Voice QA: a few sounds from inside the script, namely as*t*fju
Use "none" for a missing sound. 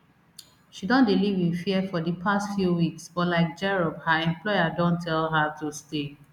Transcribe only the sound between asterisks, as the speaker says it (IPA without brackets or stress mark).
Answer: t